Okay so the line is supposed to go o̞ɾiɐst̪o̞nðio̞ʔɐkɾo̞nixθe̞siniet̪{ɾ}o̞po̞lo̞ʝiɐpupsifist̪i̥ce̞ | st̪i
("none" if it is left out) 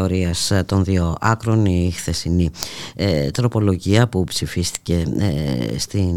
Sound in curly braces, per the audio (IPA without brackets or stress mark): ɾ